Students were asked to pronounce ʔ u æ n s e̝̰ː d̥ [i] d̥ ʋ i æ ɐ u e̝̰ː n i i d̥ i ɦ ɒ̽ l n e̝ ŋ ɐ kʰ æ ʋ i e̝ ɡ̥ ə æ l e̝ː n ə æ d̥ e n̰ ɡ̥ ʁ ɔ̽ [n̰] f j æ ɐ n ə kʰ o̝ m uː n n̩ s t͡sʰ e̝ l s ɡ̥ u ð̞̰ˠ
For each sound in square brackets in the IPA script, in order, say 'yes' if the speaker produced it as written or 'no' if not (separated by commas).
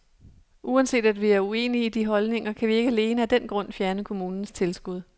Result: no, yes